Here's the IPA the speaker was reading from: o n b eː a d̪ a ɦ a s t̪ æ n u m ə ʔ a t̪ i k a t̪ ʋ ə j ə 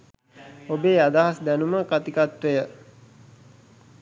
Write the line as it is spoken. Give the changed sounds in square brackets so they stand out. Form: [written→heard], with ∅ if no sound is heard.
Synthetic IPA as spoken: o [n→∅] b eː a d̪ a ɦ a s [t̪→d̪] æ n u m ə [ʔ→k] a t̪ i k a t̪ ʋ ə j ə